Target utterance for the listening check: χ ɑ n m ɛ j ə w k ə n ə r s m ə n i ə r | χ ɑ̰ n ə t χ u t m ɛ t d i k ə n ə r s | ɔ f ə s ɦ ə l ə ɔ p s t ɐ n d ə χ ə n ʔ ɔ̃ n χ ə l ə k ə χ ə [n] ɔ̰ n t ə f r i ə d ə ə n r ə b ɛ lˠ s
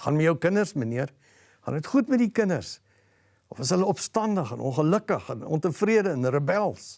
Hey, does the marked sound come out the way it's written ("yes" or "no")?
yes